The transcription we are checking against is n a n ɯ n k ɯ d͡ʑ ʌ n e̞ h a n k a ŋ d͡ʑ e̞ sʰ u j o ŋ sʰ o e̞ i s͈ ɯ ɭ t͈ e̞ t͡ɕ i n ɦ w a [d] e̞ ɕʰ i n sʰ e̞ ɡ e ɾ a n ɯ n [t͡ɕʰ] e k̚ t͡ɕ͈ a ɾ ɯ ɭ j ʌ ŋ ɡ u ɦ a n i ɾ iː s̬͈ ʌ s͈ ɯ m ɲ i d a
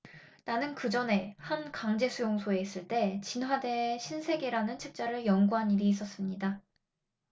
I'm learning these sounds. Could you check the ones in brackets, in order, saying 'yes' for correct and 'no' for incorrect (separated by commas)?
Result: yes, yes